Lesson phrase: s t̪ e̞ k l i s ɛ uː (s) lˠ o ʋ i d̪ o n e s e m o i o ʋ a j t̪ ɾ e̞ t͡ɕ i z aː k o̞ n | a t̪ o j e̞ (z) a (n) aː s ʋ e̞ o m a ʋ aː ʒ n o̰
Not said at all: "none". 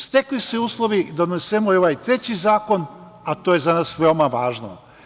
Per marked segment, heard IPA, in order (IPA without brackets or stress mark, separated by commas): s, z, n